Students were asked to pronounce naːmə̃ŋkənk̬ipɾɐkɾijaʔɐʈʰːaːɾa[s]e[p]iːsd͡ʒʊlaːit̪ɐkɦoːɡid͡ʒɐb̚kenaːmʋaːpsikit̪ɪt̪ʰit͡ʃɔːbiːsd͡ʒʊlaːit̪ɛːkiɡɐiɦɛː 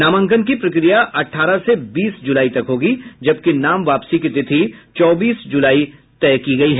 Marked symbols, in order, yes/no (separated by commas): yes, no